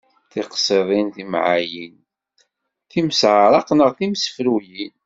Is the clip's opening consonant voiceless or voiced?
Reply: voiceless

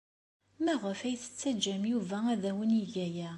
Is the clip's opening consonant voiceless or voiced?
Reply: voiced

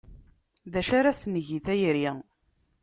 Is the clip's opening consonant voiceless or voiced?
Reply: voiced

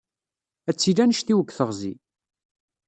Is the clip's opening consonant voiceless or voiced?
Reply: voiceless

